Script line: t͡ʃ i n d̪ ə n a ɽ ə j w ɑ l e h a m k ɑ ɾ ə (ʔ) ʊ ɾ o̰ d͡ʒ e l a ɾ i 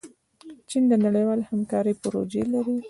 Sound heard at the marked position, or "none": p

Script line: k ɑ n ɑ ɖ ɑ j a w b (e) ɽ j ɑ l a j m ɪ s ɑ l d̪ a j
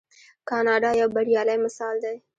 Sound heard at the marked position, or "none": a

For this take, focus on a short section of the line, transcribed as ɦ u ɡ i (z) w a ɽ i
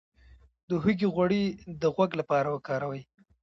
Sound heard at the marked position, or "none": ɣ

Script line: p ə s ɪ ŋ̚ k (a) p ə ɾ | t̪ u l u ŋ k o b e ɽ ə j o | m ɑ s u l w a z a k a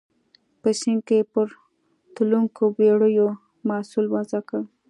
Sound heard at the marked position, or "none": e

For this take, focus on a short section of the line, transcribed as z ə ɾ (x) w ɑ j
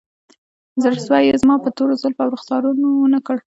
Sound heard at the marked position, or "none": s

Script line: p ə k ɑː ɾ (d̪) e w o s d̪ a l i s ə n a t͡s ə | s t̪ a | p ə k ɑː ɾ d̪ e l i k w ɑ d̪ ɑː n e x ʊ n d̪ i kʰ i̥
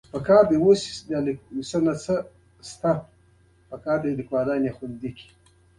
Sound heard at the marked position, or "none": d̪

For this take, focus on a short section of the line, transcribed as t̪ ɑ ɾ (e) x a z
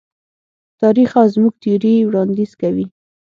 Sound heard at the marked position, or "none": i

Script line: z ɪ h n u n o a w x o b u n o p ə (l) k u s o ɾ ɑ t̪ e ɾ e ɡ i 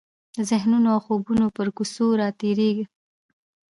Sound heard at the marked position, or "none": ɾ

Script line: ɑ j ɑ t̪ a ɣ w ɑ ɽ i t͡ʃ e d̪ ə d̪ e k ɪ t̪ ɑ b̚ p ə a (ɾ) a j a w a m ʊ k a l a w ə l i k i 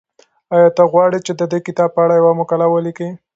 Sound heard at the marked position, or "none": ɽ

